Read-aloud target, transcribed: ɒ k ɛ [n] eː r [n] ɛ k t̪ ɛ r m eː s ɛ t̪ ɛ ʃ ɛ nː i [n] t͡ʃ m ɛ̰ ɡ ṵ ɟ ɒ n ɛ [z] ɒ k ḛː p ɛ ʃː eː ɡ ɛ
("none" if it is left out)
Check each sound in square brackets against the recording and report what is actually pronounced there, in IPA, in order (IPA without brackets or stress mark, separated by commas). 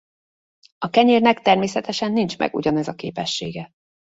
ɲ, n, n, z